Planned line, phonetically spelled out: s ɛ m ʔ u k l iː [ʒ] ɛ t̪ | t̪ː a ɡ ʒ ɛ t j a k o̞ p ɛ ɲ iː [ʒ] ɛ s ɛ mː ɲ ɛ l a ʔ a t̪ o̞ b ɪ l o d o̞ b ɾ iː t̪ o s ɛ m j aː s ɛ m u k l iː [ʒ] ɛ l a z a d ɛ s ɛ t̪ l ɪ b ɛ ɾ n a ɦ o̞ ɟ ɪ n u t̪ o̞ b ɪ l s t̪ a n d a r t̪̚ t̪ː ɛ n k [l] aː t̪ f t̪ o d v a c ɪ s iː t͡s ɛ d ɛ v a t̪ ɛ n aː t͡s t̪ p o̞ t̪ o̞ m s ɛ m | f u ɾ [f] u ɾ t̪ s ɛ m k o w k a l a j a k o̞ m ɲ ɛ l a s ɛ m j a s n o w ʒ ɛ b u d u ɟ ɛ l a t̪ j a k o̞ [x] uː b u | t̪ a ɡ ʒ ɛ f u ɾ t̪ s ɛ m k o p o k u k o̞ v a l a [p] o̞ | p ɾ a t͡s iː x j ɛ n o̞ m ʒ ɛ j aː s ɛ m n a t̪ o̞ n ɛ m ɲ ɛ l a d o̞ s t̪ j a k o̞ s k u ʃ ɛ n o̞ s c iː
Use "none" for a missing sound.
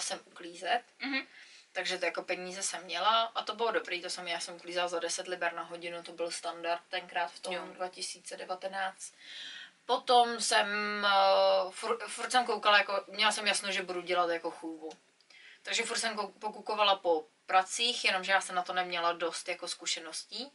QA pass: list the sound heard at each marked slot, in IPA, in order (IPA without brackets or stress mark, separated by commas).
z, z, z, ɾ, f, x, p